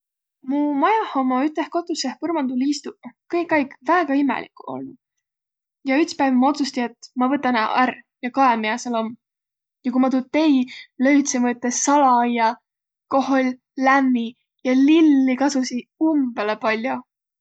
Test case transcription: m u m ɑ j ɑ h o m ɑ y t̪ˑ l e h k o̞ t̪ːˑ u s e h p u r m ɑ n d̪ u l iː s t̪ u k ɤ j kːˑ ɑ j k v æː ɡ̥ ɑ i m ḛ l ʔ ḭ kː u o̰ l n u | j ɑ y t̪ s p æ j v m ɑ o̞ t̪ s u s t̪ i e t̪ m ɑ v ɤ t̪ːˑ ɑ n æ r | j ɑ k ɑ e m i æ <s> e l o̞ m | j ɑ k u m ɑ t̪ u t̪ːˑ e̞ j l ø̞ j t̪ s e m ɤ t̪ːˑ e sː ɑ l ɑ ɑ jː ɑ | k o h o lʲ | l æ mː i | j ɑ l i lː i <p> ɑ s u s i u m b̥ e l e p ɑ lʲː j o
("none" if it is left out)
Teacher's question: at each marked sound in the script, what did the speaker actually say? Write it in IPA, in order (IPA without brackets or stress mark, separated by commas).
s, k